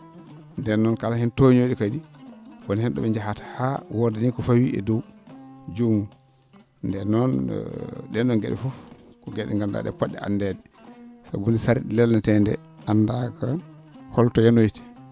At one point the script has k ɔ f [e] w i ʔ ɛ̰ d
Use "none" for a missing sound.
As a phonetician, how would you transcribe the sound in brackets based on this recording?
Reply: a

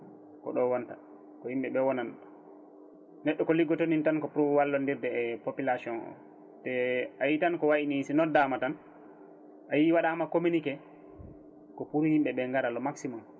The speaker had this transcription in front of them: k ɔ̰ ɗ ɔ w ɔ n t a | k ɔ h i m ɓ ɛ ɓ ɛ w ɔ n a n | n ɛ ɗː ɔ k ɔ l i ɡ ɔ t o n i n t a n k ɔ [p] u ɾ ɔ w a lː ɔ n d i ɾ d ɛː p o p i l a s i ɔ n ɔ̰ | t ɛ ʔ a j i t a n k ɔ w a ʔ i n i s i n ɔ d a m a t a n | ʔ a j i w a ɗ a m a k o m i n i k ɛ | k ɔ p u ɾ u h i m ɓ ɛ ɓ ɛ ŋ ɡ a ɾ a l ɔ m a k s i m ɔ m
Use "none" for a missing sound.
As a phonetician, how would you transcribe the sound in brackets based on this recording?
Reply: p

